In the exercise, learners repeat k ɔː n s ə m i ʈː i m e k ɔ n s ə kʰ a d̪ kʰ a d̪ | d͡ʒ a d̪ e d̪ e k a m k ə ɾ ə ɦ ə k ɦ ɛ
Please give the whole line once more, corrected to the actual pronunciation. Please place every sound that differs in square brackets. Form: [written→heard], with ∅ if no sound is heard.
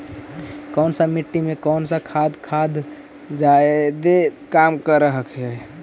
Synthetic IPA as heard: k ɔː n s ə m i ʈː i m e k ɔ n s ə kʰ a d̪ kʰ a d̪ | d͡ʒ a [d̪→∅] e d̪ e k a m k ə ɾ ə ɦ ə k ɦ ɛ